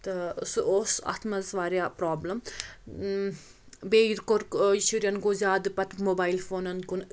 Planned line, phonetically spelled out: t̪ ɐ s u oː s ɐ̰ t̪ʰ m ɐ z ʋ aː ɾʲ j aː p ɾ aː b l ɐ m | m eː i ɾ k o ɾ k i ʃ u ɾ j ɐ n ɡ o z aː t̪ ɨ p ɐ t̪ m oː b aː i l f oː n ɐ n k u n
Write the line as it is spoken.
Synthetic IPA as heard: t̪ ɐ s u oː s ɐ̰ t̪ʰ m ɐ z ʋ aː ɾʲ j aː p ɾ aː b l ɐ m | b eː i ɾ k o ɾ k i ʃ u ɾ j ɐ n ɡ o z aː d̪ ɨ p ɐ t̪ m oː b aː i l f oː n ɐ n k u n

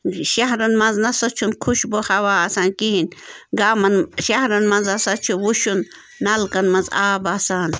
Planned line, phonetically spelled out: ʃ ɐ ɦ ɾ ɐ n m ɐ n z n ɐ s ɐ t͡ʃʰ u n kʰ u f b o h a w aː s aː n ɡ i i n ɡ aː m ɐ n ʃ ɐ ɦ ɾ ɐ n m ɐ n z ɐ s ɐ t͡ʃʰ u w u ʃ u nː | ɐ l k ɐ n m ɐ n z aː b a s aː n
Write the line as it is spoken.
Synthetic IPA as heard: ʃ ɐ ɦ ɾ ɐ n m ɐ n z n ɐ s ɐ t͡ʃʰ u n kʰ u ʃ b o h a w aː s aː n k i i n ɡ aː m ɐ n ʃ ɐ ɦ ɾ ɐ n m ɐ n z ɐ s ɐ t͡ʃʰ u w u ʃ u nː | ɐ l k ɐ n m ɐ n z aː b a s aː n

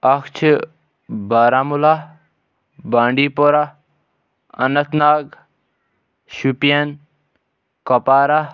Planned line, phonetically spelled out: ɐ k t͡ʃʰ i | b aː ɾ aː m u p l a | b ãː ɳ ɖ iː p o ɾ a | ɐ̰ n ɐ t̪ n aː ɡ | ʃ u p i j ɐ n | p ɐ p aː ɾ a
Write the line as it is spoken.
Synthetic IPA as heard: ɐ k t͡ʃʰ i | b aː ɾ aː m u l a | b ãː ɳ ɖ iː p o ɾ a | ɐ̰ n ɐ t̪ n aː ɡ | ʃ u p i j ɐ n | k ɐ p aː ɾ a

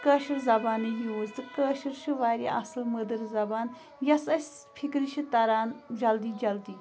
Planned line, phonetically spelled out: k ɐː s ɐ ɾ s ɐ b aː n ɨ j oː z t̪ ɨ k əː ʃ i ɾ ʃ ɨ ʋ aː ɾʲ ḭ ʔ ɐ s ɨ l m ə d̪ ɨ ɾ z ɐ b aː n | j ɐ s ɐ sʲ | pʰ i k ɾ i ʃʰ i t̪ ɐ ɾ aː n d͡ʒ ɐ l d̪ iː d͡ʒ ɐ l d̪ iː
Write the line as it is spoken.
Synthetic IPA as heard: k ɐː ʃ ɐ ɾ z ɐ b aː n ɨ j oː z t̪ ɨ k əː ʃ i ɾ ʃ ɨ ʋ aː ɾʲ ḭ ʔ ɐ s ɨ l m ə d̪ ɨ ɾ z ɐ b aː n | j ɐ s ɐ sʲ | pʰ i k ɾ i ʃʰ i t̪ ɐ ɾ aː n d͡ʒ ɐ l d̪ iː d͡ʒ ɐ l d̪ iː

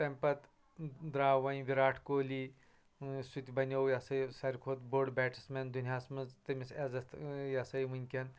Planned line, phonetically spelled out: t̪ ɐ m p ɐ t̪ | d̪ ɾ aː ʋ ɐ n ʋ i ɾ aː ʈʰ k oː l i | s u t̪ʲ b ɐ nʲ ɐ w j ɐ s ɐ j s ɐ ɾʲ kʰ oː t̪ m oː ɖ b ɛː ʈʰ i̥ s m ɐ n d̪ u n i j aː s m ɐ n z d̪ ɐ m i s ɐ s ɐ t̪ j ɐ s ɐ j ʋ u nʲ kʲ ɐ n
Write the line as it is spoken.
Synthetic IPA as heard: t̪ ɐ m p ɐ t̪ | d̪ ɾ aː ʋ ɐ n ʋ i ɾ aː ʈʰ k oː l i | s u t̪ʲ b ɐ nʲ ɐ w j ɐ s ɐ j s ɐ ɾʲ kʰ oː t̪ b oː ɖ b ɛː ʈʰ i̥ s m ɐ n d̪ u n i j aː s m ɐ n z t̪ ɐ m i s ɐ z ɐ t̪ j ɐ s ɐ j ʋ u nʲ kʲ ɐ n

